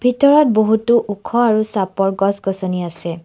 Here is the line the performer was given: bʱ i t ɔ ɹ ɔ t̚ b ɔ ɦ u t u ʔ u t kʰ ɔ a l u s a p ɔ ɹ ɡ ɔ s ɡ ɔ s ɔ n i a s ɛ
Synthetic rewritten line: bʱ i t ɔ ɹ ɔ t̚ b o ɦ u t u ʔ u kʰ ɔ a ɹ u s a p ɔ ɹ ɡ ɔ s ɡ ɔ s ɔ n i a s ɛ

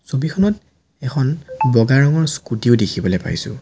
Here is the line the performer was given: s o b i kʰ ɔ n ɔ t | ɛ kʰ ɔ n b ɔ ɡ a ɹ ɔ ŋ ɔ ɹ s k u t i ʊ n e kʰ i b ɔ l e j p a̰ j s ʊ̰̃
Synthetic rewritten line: s o b i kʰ ɔ n ɔ t | ɛ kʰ ɔ n b ɔ ɡ a ɹ ɔ ŋ ɔ ɹ s k u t i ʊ d e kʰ i b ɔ l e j p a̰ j s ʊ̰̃

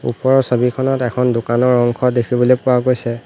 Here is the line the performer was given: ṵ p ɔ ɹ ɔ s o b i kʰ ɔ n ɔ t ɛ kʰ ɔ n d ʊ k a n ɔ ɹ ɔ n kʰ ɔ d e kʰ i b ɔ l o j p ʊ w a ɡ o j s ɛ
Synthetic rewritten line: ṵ p ɔ ɹ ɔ s o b i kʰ ɔ n ɔ t ɛ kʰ ɔ n d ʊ k a n ɔ ɹ ɔ ŋ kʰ ɔ d e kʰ i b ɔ l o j p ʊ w a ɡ o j s ɛ

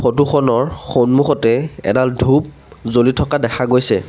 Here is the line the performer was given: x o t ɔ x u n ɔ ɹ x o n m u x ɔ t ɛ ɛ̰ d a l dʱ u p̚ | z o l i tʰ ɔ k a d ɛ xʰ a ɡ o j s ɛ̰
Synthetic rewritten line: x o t u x ɔ n ɔ ɹ x o n m u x ɔ t ɛ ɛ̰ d a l dʱ u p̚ | z o l i tʰ ɔ k a d ɛ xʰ a ɡ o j s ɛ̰

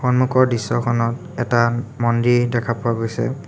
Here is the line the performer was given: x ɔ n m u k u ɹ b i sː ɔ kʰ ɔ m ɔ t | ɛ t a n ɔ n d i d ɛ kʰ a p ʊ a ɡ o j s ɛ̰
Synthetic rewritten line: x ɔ n m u k ɔ ɹ d i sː ɔ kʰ ɔ n ɔ t | ɛ t a m ɔ n d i d ɛ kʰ a p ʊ a ɡ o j s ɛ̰

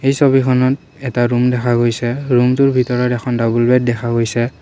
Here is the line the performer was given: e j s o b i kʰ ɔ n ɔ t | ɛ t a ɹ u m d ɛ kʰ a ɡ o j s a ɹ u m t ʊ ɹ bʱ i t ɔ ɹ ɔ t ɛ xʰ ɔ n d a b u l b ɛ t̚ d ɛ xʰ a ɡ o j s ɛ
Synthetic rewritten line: e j s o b i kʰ ɔ n ɔ t | ɛ t a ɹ u m d ɛ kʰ a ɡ o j s ɛ ɹ u m t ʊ ɹ bʱ i t ɔ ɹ ɔ t ɛ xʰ ɔ n d a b u l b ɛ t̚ d ɛ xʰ a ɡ o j s ɛ

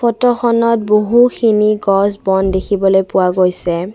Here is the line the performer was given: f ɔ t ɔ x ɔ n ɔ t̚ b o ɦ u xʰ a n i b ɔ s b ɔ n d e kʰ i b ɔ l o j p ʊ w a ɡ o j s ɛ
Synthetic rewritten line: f ɔ t ɔ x ɔ n ɔ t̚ b o ɦ u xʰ i n i ɡ ɔ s b ɔ n d e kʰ i b ɔ l o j p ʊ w a ɡ o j s ɛ

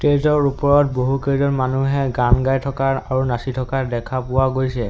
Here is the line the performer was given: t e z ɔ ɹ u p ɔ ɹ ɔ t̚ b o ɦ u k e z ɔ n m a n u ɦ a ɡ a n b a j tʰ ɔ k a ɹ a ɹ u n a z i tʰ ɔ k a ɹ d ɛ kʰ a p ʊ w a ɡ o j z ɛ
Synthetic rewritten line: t e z ɔ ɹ u p ɔ ɹ ɔ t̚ b o ɦ u k e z ɔ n m a n u ɦ ɛ ɡ a n ɡ a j tʰ ɔ k a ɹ a ɹ u n a s i tʰ ɔ k a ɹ d ɛ kʰ a p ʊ w a ɡ o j s ɛ

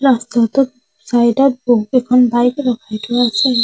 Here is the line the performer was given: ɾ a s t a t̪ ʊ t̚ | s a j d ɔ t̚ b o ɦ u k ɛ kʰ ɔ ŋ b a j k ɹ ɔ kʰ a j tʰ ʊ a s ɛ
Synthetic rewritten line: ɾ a s t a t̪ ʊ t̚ | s a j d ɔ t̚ b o ɦ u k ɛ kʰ ɔ n b a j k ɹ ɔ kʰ a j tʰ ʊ a s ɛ

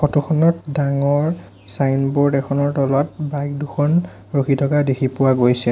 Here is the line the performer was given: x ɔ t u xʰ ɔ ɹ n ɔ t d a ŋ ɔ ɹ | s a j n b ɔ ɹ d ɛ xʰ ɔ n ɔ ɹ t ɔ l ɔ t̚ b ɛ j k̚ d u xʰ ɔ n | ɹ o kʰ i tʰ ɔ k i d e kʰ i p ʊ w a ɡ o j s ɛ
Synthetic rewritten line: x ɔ t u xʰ ɔ n ɔ t d a ŋ ɔ ɹ | s a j n b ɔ ɹ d ɛ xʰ ɔ n ɔ ɹ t ɔ l ɔ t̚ b a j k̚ d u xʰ ɔ n | ɹ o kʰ i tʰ ɔ k a d e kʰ i p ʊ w a ɡ o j s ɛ

